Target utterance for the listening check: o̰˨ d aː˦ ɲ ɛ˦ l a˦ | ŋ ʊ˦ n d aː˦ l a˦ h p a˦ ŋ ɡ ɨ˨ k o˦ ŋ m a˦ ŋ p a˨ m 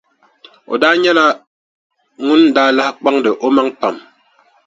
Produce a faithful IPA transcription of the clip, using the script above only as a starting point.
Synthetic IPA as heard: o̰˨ d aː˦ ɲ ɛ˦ l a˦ | ŋ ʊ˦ n d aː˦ l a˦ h k͡p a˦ ŋ d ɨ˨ ʔ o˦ m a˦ ŋ p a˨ m